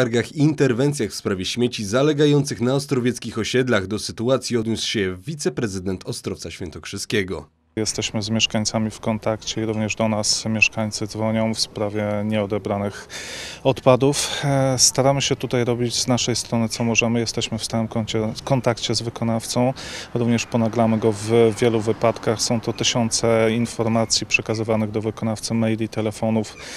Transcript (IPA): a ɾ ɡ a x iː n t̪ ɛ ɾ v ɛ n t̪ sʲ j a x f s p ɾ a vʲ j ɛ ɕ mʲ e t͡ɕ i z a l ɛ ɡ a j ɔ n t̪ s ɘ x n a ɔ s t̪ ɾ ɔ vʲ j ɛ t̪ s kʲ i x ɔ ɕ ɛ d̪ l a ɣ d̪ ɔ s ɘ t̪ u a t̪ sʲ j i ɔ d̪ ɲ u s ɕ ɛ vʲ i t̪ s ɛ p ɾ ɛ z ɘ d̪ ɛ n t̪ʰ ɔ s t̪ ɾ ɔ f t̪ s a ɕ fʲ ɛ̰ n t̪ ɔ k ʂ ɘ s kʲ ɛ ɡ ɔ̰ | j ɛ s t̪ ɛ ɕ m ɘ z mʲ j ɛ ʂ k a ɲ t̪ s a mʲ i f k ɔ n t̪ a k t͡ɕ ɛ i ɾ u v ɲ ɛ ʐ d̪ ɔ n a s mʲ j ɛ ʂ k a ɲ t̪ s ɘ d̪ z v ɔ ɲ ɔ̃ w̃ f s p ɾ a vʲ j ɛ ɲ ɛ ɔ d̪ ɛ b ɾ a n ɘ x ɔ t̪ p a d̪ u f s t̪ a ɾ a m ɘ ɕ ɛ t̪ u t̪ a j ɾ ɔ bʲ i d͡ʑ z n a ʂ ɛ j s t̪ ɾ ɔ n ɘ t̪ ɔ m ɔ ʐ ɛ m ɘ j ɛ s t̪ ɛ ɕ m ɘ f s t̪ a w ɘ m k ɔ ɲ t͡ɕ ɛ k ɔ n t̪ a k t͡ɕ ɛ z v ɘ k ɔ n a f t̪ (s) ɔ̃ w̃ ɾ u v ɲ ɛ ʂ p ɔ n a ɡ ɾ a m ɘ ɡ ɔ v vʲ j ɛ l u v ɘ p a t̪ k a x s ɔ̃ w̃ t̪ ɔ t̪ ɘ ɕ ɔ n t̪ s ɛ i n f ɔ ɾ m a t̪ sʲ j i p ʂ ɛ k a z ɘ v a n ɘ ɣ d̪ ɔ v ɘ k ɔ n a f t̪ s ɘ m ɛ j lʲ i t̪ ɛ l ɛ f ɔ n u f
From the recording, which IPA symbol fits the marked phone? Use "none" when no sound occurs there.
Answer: s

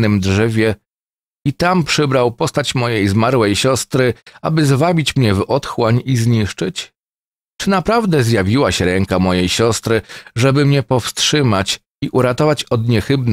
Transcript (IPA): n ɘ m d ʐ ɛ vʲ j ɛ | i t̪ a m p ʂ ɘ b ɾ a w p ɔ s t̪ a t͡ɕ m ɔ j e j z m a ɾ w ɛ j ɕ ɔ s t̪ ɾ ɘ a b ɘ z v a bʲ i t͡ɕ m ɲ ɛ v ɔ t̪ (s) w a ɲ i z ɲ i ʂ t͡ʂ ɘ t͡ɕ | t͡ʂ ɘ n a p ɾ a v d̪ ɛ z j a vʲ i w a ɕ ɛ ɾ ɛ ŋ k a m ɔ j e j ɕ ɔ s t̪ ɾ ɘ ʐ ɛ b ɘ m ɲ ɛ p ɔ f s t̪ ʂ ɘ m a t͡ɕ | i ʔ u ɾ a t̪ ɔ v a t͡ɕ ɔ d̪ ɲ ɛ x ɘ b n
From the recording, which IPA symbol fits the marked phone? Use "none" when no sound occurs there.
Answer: x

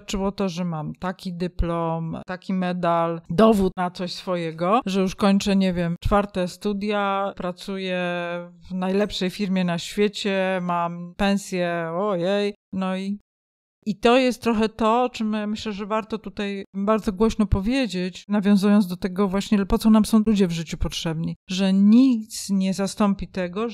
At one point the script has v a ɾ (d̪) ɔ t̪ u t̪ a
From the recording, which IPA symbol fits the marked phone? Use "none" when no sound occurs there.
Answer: t̪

